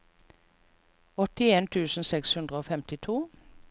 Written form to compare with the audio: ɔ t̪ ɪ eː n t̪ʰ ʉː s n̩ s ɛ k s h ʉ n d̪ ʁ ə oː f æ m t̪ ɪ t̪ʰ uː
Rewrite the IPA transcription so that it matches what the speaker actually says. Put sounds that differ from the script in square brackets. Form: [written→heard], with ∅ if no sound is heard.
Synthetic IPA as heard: ɔ t̪ ɪ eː n t̪ʰ ʉː s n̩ s ɛ k s h ʉ n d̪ ʁ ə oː f [æ→ɛ] m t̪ ɪ t̪ʰ uː